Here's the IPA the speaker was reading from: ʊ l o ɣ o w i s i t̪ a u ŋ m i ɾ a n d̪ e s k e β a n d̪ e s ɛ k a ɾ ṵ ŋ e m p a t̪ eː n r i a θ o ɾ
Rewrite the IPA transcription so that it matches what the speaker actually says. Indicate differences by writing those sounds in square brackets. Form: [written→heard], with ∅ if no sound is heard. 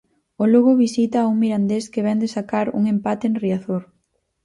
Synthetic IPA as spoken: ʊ l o ɣ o [w→β] i s i t̪ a u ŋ m i ɾ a n d̪ e s k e β [a→ɛ] n d̪ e s [ɛ→a] k a ɾ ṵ ŋ e m p a t̪ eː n r i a θ o ɾ

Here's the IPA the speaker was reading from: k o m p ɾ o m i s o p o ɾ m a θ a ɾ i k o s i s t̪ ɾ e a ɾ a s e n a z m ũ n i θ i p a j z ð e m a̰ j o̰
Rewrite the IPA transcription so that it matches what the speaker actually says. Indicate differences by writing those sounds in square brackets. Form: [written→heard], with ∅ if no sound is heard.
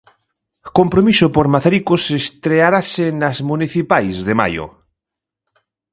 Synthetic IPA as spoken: k o m p ɾ o m i s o p o ɾ m a θ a ɾ i k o s [i→e] s t̪ ɾ e a ɾ a s e n a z m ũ n i θ i p a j z ð e m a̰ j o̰

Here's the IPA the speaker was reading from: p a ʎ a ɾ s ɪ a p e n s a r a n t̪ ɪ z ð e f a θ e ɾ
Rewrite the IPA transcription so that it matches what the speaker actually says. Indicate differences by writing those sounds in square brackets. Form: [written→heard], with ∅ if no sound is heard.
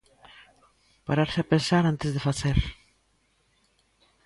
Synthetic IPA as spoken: p a [ʎ→ɾ] a ɾ s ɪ a p e n s a [r→ɾ] a n t̪ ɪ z ð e f a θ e ɾ

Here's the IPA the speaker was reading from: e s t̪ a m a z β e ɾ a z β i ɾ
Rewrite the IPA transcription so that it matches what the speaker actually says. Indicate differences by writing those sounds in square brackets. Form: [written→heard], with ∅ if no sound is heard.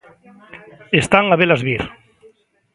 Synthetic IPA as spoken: e s t̪ a [m→ŋ] a [z→∅] β e [ɾ→l] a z β i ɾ

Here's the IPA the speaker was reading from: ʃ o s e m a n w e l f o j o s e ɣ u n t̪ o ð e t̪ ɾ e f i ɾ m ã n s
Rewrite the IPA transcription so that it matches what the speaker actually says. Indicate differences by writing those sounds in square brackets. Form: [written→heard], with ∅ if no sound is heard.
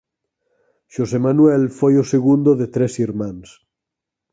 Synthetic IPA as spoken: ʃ o s e m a n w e l f o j o s e ɣ u n [t̪→d̪] o ð e t̪ ɾ e [f→s] i ɾ m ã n s

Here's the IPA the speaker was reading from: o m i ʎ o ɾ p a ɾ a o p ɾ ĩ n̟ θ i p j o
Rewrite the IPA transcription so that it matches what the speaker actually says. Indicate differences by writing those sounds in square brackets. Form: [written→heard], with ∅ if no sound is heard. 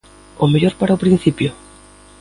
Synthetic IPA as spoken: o m [i→e] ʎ o ɾ p a ɾ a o p ɾ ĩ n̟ θ i p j o

